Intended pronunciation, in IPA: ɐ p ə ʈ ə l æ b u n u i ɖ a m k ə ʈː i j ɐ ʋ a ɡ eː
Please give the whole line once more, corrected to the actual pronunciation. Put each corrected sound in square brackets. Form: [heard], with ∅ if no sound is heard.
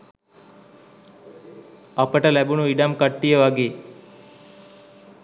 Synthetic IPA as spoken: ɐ p ə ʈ ə l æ b u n u i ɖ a m k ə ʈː i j [ə] ʋ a ɡ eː